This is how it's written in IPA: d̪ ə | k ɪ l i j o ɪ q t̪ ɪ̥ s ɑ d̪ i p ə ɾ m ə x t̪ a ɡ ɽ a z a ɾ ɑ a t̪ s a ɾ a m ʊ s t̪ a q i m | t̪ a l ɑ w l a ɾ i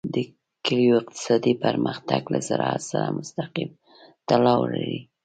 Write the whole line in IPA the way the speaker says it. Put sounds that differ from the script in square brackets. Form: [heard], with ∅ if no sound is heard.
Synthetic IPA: d̪ ə | k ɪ l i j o ɪ q t̪ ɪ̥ s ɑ d̪ i p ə ɾ m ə x t̪ a ɡ [l] a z a ɾ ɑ a t̪ s a ɾ a m ʊ s t̪ a q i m | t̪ a l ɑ w l a ɾ i